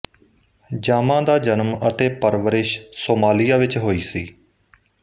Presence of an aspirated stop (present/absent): absent